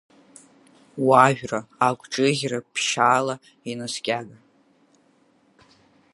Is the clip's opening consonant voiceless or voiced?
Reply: voiced